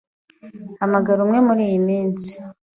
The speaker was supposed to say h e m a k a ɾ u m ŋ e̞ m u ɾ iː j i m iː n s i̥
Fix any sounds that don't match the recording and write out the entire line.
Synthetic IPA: h a m a ɡ a ɾ u m ŋ e̞ m u ɾ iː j i m iː n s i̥